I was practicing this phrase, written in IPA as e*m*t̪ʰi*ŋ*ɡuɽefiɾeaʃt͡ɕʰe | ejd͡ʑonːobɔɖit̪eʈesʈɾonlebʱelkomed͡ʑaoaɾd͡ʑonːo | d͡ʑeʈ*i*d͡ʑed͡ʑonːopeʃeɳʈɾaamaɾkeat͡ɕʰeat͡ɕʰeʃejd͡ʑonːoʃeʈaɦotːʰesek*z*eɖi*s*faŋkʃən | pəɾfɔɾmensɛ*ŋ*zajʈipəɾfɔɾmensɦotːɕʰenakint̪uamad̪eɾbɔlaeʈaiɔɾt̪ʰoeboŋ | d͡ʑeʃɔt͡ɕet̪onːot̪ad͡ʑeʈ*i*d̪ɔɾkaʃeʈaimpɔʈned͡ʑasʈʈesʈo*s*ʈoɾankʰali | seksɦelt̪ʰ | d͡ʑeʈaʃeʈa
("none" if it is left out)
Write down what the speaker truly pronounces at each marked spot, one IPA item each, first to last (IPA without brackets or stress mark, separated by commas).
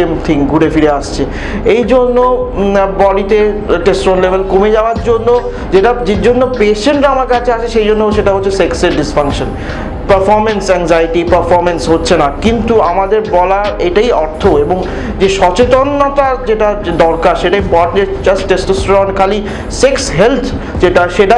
m, ŋ, a, s, s, ŋ, a, s